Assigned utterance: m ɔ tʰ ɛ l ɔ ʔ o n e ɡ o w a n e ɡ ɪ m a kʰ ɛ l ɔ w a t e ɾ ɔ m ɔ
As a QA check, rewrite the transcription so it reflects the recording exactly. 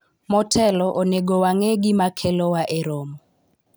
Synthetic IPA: m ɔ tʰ ɛ l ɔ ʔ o n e ɡ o w a ŋ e ɡ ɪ m a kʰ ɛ l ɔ w a ʔ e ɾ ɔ m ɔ